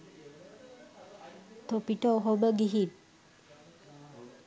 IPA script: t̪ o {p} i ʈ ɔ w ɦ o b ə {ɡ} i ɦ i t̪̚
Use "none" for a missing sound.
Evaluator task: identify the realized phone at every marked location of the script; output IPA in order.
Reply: p, ɡ

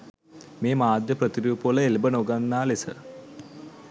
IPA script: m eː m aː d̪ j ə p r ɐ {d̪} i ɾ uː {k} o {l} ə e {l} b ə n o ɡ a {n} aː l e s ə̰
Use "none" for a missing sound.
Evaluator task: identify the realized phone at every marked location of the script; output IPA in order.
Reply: t̪, p, l, l, nː

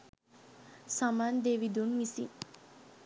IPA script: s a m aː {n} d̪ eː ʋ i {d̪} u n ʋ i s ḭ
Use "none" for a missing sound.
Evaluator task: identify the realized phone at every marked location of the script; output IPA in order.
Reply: n, d̪

